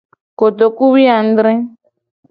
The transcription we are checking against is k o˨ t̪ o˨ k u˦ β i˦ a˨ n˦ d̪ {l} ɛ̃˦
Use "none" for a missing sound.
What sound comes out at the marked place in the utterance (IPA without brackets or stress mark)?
ɾ